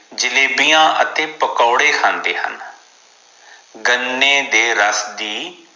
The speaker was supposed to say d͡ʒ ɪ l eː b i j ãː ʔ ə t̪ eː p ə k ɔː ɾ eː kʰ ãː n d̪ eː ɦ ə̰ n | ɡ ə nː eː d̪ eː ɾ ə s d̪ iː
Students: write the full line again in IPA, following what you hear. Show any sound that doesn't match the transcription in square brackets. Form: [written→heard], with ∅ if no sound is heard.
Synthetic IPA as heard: d͡ʒ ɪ l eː b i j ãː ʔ ə t̪ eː p ə k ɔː [ɾ→ɽ] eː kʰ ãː n d̪ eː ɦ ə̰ n | ɡ ə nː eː d̪ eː ɾ ə s d̪ iː